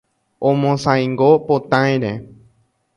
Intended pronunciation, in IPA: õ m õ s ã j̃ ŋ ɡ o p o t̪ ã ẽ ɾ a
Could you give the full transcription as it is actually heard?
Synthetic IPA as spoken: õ m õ s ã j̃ ŋ ɡ o p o t̪ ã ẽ ɾ e

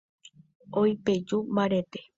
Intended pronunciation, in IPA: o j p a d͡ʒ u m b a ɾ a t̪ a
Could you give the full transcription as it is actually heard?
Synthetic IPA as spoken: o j p e d͡ʒ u m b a ɾ e t̪ e

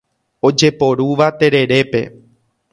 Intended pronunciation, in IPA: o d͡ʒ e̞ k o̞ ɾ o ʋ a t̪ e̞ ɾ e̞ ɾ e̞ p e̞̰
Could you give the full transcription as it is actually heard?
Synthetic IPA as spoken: o d͡ʒ e̞ p o̞ ɾ u ʋ a t̪ e̞ ɾ e̞ ɾ e̞ p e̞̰

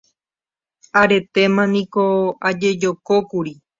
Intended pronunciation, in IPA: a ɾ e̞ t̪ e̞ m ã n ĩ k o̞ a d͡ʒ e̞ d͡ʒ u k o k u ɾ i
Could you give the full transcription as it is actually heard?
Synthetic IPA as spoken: a ɾ e̞ t̪ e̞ m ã n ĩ k o̞ a d͡ʒ e̞ d͡ʒ o k o k u ɾ i

